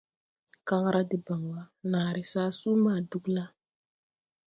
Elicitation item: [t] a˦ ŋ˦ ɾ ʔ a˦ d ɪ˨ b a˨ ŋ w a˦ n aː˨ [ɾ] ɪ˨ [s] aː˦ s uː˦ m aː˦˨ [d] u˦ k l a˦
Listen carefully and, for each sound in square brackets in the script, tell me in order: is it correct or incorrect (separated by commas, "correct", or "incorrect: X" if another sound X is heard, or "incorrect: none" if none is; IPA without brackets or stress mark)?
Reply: incorrect: k, correct, correct, correct